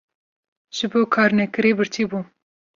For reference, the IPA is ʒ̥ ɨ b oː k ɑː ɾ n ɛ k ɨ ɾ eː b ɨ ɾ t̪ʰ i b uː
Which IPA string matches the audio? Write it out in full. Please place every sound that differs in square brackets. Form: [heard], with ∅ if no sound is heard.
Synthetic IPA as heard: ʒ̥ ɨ b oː [kʰ] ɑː ɾ n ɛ k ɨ ɾ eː b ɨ ɾ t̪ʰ i b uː